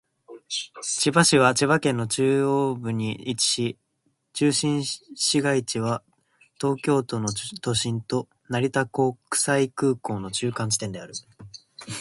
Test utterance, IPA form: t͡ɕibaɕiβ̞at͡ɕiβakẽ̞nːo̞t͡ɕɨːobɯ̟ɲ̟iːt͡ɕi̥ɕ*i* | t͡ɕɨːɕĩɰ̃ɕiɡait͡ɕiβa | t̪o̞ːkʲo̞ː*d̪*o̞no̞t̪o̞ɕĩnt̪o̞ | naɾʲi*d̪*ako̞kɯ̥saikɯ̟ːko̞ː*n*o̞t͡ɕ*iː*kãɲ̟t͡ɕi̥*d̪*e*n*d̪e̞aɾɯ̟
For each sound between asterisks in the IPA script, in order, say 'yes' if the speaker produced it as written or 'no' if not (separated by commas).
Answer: yes, no, no, yes, no, no, yes